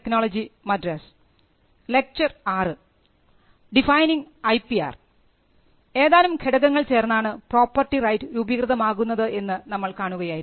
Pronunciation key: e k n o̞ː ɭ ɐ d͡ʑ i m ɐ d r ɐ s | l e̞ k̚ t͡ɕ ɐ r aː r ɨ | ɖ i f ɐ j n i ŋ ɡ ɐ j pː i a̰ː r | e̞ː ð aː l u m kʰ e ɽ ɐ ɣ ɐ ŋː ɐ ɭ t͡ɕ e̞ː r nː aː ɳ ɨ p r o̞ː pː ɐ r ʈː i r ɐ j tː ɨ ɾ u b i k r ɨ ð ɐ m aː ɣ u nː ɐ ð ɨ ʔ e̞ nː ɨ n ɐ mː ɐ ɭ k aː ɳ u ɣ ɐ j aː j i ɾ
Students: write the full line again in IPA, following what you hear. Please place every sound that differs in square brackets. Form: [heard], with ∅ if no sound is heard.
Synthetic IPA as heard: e k n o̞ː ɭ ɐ d͡ʑ i m ɐ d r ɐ s | l e̞ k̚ t͡ɕ ɐ r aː r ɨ | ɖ i f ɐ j n i ŋ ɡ ɐ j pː i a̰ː r | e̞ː ð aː l u m kʰ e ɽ ɐ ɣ ɐ ŋː ɐ ɭ t͡ɕ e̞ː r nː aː ɳ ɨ p r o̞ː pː ɐ r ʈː i r ɐ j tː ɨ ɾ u b i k r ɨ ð ɐ m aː ɣ u nː ɐ ð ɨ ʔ e̞ nː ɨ n ɐ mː ɐ ɭ k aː ɳ u ɣ ɐ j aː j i ɾ